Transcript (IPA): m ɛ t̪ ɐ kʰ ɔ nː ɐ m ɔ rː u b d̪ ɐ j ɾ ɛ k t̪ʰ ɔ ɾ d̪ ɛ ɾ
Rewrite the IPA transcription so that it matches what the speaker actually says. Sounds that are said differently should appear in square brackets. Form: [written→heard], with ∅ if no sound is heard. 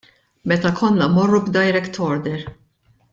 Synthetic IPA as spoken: m ɛ t̪ ɐ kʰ ɔ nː ɐ m ɔ rː u b d̪ ɐ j ɾ ɛ k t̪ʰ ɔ ɾ d̪ ɛ ɾ